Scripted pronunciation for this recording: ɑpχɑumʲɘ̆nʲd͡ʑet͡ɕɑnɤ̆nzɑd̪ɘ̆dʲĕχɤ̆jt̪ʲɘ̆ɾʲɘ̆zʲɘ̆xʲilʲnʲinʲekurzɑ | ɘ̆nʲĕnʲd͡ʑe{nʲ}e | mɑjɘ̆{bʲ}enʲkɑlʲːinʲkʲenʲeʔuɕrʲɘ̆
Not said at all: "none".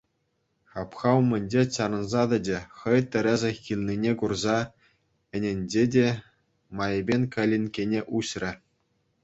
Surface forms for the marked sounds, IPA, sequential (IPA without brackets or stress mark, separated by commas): dʲ, bʲ